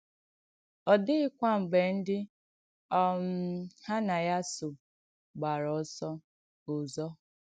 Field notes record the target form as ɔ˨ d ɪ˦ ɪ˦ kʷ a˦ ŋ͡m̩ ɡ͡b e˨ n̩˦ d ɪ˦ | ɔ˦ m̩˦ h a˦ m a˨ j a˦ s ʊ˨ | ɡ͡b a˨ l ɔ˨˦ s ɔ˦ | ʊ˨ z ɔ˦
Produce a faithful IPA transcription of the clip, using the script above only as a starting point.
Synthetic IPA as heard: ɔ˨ d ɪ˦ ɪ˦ kʷ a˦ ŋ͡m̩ ɡ͡b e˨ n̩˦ d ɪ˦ | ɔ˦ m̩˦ h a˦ n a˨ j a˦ s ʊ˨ | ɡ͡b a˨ ɾ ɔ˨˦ s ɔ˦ | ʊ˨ z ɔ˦